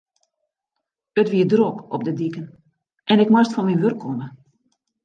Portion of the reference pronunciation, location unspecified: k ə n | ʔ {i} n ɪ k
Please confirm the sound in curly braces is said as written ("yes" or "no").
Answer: no